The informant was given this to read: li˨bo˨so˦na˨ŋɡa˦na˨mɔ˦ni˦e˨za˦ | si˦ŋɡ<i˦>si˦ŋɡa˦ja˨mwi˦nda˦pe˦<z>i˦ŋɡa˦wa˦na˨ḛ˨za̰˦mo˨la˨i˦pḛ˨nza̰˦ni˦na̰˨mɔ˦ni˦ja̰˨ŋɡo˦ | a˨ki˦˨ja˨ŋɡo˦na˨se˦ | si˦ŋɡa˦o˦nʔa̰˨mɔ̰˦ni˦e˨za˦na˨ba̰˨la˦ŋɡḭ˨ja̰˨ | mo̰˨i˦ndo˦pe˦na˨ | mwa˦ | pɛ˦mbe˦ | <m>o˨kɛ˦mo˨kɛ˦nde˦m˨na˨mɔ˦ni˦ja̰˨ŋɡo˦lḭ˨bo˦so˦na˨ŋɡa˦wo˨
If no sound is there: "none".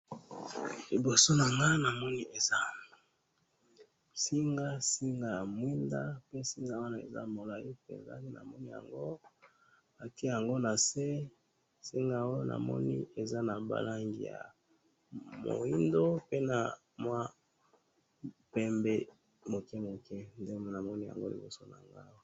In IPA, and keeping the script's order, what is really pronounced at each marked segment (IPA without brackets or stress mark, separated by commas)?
a˦, s, m